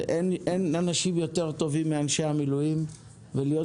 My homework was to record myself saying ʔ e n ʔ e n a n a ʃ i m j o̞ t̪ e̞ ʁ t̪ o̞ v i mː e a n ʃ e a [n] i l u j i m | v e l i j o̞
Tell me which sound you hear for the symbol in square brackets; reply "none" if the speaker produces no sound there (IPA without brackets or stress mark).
m